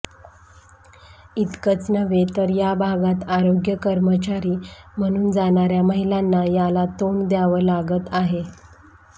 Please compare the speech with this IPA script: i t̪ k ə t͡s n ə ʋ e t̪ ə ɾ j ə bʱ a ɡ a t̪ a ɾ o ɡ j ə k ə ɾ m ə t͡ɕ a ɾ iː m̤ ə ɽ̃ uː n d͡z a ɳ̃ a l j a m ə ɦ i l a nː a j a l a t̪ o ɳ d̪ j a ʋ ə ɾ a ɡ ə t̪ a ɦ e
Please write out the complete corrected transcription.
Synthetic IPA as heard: i t̪ k ə t͡s n ə ʋ e t̪ ə ɾ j a bʱ a ɡ a t̪ a ɾ o ɡ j ə k ə ɾ m ə t͡ɕ a ɾ iː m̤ ə ɽ̃ uː n d͡z a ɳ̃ a ɾ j a m ə ɦ i l a nː a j a l a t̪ o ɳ d̪ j a ʋ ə l a ɡ ə t̪ a ɦ e